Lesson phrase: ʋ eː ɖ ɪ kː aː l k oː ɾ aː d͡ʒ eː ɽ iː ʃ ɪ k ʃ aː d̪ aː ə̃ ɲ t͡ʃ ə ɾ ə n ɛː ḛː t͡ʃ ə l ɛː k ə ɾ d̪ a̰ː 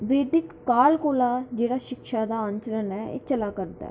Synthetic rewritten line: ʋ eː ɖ ɪ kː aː l k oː l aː d͡ʒ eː ɽ aː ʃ ɪ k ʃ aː d̪ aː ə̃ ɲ t͡ʃ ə ɾ ə n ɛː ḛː t͡ʃ ə l aː k ə ɾ d̪ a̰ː